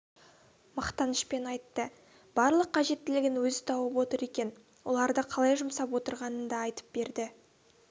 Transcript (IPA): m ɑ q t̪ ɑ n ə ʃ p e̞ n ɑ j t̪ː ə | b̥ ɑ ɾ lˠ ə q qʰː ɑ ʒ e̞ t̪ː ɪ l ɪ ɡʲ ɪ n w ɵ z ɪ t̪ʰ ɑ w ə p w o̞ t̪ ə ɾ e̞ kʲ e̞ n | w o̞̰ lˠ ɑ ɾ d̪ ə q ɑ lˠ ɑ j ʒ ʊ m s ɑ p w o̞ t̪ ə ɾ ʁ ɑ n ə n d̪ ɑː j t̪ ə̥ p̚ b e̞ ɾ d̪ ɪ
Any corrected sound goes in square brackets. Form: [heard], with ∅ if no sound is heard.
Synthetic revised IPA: m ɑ q t̪ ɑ n ə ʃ p e̞ n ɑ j t̪ː ə | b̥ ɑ ɾ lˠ ə q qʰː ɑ ʒ e̞ t̪ː ɪ l ɪ ɡʲ ɪ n w ɵ z ɪ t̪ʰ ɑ w ə p w o̞ t̪ ə ɾ e̞ kʲ e̞ n | w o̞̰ lˠ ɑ ɾ d̪ ə [qʰ] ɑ lˠ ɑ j ʒ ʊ m s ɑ p w o̞ t̪ ə ɾ ʁ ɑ n ə n d̪ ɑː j t̪ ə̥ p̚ b e̞ ɾ d̪ ɪ